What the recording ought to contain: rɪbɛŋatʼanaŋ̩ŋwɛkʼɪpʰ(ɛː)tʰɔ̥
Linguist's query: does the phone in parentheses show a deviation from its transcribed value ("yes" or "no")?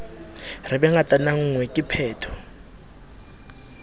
no